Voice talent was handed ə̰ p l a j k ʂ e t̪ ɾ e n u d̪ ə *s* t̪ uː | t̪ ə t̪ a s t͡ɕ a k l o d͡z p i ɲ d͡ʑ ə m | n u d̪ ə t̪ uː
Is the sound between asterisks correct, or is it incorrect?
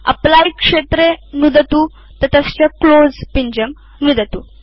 incorrect